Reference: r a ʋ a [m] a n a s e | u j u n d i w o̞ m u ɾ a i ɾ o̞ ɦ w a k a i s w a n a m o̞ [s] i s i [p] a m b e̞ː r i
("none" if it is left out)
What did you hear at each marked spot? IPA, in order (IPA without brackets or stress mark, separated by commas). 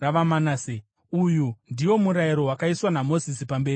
m, z, p